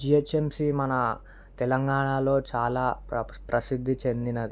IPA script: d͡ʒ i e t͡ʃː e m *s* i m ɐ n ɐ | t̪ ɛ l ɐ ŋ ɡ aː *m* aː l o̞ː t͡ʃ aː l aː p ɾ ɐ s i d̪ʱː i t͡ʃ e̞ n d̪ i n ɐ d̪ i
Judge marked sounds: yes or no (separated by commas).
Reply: yes, no